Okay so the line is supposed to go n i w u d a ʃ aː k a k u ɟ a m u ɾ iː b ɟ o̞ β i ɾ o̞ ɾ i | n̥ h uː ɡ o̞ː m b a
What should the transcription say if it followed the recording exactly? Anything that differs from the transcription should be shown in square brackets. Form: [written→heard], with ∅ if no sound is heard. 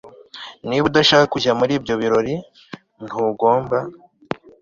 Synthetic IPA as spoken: n i [w→β] u d a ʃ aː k a k u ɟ a m u ɾ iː b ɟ o̞ β i ɾ o̞ ɾ i | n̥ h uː ɡ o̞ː m b a